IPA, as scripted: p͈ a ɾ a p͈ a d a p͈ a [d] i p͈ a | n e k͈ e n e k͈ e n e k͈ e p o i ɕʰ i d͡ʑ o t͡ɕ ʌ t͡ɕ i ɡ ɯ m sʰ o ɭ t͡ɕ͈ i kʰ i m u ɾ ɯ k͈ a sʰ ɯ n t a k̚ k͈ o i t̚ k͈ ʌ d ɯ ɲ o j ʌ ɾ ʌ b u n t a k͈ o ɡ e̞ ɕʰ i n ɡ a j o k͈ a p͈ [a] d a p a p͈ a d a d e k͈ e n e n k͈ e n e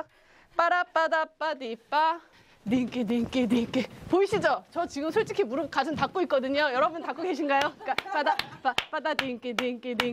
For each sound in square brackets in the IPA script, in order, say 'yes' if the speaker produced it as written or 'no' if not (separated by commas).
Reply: yes, yes